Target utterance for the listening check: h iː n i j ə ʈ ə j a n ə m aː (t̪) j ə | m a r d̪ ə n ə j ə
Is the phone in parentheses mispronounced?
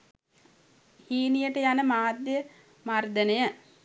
yes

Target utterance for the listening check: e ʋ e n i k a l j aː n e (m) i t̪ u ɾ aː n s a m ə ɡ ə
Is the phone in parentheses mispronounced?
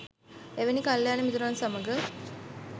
no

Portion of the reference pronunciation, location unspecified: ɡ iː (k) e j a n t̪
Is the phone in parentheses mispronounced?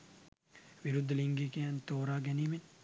no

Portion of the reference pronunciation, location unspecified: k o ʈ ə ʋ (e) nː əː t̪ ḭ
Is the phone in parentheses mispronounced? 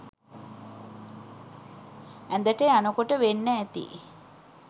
no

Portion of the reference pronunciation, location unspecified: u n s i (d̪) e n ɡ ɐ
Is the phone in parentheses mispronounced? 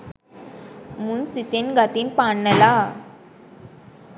yes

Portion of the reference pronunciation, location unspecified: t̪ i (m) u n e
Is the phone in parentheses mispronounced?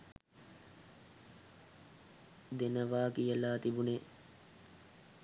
yes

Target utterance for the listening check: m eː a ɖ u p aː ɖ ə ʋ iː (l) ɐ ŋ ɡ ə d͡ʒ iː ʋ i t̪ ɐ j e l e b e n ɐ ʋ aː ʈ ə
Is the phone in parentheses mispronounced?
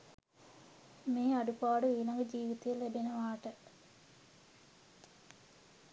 no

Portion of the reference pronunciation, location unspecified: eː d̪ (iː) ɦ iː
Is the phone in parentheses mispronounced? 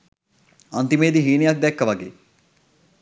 yes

